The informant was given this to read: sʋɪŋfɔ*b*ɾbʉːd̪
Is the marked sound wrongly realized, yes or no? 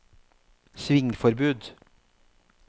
yes